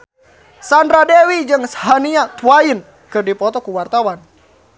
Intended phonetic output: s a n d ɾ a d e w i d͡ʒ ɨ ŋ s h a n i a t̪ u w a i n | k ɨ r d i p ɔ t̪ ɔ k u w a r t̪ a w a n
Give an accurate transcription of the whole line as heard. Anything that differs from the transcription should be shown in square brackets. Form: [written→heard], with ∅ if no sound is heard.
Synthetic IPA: s a n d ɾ a d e w i d͡ʒ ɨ ŋ s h a n i a t̪ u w a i n | k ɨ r d i p ɔ t̪ ɔ k u w a r t̪ a w a n